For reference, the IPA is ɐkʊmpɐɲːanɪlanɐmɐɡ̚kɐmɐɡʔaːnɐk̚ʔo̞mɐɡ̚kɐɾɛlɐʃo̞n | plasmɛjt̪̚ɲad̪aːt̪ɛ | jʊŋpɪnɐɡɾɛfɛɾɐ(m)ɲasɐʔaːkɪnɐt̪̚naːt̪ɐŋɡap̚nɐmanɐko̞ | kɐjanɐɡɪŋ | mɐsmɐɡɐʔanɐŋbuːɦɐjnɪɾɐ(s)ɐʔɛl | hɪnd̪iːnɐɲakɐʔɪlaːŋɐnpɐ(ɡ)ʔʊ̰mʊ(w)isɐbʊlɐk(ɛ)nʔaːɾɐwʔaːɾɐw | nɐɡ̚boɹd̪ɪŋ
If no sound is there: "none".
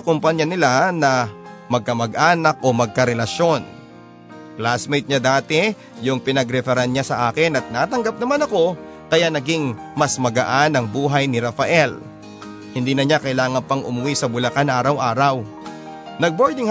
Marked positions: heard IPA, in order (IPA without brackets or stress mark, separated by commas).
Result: n, f, ŋ, w, a